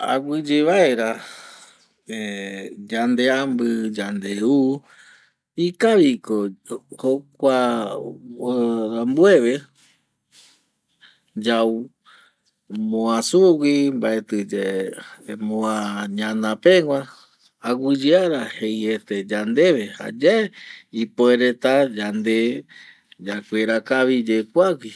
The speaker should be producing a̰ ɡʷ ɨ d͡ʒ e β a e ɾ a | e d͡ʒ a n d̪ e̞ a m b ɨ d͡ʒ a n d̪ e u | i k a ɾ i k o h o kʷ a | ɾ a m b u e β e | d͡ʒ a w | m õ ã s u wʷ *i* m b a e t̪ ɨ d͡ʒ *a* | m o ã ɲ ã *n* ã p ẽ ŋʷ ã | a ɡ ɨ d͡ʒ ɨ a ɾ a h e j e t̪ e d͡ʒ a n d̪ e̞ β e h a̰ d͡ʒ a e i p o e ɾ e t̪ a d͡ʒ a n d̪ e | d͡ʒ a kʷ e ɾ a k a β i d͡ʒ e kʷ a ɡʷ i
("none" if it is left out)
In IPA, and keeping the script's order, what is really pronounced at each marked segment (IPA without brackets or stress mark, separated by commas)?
i, e, n